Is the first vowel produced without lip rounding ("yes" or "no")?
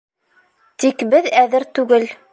yes